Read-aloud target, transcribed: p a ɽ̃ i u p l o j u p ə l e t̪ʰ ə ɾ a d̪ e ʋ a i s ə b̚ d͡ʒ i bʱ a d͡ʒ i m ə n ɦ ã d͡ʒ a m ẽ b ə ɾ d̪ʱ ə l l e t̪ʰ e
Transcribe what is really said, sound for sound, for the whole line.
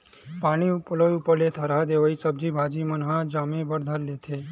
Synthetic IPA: p a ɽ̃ i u p l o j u p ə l e t̪ʰ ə ɾ a d̪ e ʋ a i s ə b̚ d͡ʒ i bʱ a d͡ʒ i m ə n ɦ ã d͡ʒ a m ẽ b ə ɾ d̪ʱ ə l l e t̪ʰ e